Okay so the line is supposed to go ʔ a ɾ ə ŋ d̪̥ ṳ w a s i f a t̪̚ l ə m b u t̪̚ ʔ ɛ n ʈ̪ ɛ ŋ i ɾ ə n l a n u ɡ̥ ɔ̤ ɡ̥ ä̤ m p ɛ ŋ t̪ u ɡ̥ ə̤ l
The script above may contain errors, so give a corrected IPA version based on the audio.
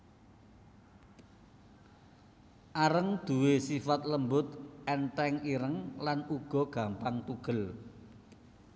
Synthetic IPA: ʔ a ɾ ə ŋ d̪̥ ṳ w e s i f a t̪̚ l ə m b ʊ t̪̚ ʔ ɛ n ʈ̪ ɛ ŋ i ɾ ə ŋ l a n u ɡ̥ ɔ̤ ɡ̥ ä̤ m p a ŋ t̪ u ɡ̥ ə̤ l